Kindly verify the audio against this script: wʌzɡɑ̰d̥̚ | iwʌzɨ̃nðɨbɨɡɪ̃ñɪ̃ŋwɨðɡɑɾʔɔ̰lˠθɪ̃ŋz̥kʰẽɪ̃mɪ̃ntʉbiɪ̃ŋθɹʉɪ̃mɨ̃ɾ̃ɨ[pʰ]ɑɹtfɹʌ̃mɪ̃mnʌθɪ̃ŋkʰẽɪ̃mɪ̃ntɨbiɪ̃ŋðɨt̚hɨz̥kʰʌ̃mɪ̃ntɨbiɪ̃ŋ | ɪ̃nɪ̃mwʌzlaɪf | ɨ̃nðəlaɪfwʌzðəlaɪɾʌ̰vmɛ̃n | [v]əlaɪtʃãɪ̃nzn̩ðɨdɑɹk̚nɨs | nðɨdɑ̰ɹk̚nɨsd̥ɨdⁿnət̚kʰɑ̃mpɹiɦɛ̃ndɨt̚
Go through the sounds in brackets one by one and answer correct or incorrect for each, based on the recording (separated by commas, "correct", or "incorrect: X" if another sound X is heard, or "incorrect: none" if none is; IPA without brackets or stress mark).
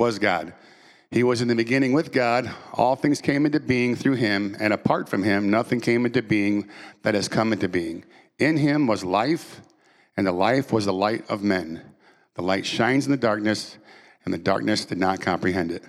correct, incorrect: ð